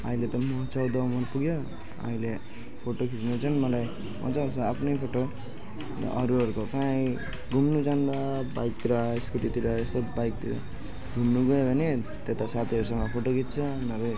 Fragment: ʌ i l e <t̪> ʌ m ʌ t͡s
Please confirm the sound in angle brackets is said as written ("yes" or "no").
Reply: yes